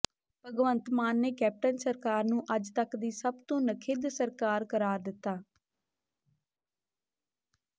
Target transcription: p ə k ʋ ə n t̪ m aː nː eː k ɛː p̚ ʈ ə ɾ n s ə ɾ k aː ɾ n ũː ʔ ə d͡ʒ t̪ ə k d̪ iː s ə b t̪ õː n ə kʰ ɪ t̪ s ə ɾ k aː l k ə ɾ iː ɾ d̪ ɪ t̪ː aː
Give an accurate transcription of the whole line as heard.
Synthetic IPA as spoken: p ə ɡ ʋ ə n t̪ m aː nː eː k ɛː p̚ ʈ ə n s ə ɾ k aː ɾ n ũː ʔ ə d͡ʒ t̪ ə k d̪ iː s ə b t̪ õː n ə kʰ ɪ d̪ s ə ɾ k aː ɾ k ə ɾ aː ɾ d̪ ɪ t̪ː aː